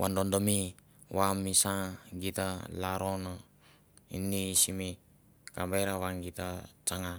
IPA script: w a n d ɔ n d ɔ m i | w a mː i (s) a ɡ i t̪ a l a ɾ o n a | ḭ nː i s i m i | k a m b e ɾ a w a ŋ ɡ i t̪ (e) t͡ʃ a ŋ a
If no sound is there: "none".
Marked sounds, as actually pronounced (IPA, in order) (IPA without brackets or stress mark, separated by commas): s, a